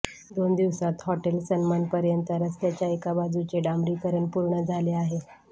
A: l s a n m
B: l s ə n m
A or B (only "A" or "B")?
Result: B